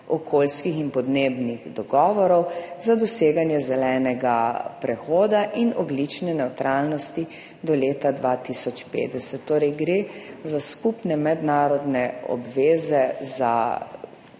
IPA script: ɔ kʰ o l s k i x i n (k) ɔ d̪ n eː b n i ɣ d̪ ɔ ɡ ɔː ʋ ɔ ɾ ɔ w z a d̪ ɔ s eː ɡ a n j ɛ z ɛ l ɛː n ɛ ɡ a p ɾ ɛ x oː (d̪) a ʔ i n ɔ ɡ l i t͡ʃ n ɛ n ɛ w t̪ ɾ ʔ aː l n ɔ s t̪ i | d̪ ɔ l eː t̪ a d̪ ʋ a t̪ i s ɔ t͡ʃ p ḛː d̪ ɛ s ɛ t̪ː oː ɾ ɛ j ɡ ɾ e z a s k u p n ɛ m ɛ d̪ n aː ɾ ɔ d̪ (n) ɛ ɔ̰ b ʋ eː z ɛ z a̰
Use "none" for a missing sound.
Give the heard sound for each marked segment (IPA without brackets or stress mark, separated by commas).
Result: p, d̪, n